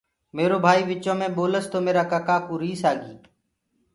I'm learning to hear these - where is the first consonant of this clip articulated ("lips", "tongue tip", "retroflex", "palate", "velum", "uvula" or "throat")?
lips